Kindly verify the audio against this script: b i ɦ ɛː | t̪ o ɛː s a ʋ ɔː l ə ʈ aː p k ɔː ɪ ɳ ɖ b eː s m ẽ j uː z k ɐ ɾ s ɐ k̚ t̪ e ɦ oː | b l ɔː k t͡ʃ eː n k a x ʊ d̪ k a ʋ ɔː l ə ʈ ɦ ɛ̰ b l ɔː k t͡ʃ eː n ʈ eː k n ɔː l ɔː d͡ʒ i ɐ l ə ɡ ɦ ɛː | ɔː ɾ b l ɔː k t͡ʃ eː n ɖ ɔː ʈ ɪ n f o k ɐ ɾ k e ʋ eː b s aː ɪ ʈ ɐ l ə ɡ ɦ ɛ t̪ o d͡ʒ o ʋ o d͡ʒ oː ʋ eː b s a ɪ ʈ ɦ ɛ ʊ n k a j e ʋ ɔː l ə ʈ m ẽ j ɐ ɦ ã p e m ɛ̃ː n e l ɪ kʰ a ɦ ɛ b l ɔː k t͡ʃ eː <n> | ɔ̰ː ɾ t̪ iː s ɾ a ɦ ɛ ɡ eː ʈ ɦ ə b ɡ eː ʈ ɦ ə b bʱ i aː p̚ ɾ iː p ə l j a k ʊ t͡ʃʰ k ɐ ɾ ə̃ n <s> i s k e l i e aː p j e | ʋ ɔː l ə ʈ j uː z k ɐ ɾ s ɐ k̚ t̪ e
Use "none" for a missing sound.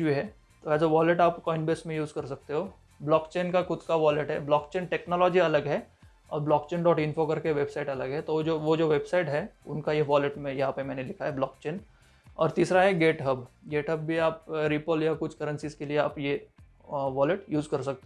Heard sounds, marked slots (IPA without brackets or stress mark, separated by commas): n, s